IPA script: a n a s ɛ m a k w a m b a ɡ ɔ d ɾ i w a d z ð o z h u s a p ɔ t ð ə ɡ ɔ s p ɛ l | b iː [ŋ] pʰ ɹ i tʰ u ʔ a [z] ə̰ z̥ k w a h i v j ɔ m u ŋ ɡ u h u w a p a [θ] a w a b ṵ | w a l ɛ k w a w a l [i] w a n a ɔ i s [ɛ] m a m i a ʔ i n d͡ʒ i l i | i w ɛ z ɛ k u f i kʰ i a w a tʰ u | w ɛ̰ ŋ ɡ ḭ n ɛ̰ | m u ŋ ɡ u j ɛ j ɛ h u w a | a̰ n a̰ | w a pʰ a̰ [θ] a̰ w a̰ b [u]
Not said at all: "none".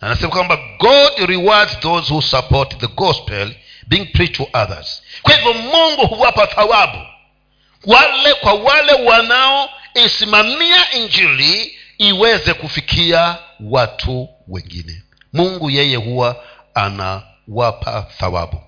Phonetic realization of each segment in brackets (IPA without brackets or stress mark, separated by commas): ŋ, ð, θ, ɛ, i, θ, u